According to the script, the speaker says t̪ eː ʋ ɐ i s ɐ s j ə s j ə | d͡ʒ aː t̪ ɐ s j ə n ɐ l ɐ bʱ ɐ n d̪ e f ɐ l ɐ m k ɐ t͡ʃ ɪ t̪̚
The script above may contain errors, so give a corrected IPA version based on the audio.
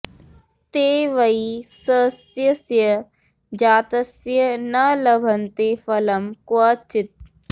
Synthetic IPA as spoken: t̪ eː ʋ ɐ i s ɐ s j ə s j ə | d͡ʒ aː t̪ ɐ s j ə n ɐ l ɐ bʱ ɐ n t̪ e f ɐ l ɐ m k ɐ t͡ʃ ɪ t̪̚